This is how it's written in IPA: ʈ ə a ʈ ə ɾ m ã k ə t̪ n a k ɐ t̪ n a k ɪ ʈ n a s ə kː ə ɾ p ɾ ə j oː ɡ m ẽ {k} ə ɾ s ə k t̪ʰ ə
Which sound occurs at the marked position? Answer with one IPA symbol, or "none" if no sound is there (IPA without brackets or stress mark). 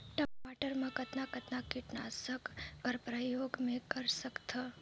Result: k